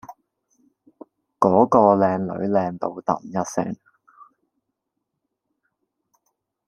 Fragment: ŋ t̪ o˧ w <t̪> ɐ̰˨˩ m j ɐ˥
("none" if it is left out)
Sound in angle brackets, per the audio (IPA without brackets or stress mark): t̪